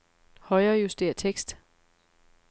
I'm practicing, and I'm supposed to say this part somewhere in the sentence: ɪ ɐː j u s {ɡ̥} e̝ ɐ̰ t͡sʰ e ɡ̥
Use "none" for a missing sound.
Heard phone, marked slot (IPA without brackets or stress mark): d̥